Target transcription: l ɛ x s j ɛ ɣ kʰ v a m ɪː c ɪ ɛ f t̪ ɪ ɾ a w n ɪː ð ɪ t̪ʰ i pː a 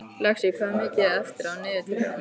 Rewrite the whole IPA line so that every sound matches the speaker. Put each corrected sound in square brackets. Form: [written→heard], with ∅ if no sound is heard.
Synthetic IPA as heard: l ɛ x s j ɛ ɣ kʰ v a m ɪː c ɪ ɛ f t̪ ɪ ɾ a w n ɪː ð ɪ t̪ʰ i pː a